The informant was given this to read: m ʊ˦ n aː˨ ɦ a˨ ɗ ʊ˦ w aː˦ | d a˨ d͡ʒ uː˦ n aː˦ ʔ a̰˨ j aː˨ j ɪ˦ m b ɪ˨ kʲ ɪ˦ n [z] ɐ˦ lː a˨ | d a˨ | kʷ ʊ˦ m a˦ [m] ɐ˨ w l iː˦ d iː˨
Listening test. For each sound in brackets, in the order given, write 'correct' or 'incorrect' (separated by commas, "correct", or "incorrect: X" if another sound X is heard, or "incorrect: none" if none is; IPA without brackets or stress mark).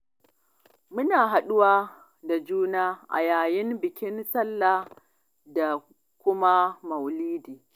incorrect: s, correct